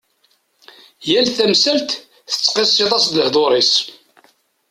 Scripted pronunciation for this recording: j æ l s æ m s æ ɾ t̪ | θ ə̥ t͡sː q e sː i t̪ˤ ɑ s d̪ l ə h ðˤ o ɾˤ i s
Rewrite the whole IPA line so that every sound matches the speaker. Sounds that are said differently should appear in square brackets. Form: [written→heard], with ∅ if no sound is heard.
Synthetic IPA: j æ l [s→θ] æ m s æ [ɾ→l] t̪ | θ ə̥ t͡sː q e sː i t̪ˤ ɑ s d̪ l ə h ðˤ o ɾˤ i s